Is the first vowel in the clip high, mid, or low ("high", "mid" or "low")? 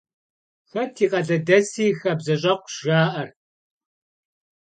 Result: low